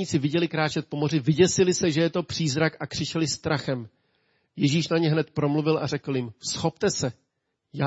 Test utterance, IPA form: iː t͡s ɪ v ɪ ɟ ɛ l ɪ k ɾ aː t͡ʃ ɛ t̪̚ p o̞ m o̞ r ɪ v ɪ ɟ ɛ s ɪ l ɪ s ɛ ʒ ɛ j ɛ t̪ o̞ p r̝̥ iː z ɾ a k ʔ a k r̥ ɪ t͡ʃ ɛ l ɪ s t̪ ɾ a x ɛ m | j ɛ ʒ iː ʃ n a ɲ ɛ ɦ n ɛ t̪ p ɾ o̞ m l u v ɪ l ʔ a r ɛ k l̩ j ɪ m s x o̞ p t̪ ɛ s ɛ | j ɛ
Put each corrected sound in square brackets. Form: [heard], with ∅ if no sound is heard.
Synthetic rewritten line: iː t͡s ɪ v ɪ ɟ ɛ l ɪ k ɾ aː t͡ʃ ɛ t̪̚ p o̞ m o̞ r ɪ v ɪ ɟ ɛ s ɪ l ɪ s ɛ ʒ ɛ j ɛ t̪ o̞ p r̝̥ iː z ɾ a k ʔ a k r̥ ɪ t͡ʃ ɛ l ɪ s t̪ ɾ a x ɛ m | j ɛ ʒ iː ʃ n a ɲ ɛ ɦ n ɛ t̪ p ɾ o̞ m l u v ɪ l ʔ a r ɛ k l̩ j ɪ m s x o̞ p t̪ ɛ s ɛ | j [a]